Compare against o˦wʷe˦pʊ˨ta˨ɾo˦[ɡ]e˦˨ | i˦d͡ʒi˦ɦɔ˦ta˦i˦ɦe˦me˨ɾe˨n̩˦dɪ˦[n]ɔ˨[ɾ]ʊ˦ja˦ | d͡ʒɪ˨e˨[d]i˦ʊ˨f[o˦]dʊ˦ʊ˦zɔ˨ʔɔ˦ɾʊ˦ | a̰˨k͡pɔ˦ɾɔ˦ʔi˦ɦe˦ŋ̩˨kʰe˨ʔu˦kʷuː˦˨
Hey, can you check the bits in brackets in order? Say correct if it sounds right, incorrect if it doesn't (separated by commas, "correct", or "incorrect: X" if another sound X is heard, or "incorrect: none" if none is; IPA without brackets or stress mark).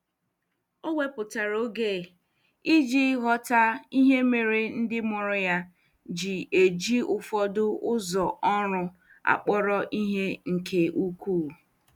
correct, incorrect: m, correct, incorrect: d͡ʒ, incorrect: ɔ˦